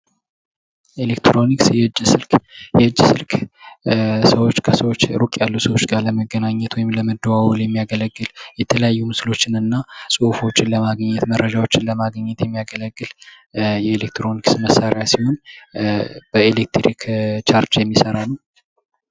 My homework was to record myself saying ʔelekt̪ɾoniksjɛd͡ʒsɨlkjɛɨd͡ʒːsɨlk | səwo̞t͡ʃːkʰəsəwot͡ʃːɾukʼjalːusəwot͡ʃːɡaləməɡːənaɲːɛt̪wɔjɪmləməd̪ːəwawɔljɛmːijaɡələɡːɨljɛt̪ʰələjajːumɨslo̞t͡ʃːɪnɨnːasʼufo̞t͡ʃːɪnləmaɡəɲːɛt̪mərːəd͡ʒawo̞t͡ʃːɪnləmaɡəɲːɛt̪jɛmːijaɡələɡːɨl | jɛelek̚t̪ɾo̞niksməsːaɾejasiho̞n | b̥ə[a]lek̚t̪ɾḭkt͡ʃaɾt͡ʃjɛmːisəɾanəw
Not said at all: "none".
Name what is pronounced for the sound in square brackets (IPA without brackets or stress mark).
e